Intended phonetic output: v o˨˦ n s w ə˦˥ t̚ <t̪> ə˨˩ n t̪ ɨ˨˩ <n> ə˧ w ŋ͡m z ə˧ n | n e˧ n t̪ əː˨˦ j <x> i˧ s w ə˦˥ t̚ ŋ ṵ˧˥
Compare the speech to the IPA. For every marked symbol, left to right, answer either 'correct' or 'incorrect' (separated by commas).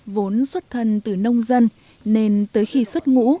incorrect, correct, correct